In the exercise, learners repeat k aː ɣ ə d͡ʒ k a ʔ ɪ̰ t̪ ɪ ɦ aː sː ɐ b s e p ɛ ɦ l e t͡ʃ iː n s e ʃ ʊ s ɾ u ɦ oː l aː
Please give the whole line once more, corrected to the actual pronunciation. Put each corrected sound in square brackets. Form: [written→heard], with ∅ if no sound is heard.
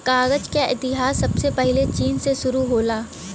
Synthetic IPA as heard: k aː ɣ ə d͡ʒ k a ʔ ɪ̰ t̪ ɪ ɦ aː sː ɐ b s e p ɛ ɦ l e t͡ʃ iː n s e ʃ ʊ [s→∅] ɾ u ɦ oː l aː

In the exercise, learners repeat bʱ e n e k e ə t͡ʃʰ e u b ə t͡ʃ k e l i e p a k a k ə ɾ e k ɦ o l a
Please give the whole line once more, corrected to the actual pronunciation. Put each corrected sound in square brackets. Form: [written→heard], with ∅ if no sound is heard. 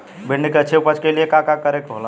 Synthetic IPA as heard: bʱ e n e k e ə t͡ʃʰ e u [b→p] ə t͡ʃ k e l i e [p→k] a k a k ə ɾ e k ɦ o l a

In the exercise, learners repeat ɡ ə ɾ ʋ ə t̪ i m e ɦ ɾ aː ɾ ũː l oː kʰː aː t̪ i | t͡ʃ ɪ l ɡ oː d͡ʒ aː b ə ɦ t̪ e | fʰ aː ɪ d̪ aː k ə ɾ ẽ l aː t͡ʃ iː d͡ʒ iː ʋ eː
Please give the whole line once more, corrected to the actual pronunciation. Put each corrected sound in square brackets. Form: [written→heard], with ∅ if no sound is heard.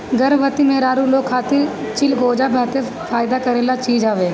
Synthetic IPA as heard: ɡ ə ɾ ʋ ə t̪ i m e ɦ ɾ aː ɾ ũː l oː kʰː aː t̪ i | t͡ʃ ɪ l ɡ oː d͡ʒ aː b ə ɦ t̪ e | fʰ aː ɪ d̪ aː k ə ɾ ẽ l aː t͡ʃ iː d͡ʒ [iː→aː] ʋ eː

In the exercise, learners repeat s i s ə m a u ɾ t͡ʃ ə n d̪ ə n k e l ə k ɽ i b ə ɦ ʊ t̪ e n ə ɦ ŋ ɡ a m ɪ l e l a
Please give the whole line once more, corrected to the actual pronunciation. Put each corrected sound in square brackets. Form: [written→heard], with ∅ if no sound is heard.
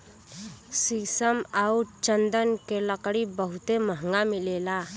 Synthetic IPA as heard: s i s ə m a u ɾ t͡ʃ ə n d̪ ə n k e l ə k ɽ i b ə ɦ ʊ t̪ e [n→m] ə ɦ ŋ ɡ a m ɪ l e l a

